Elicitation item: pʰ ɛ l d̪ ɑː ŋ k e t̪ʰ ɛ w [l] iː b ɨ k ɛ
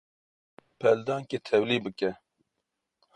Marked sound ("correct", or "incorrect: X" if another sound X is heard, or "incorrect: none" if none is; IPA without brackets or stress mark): correct